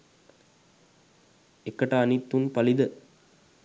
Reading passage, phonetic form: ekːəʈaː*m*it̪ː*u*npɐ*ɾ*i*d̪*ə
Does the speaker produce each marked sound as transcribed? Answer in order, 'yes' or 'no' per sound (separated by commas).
no, yes, no, yes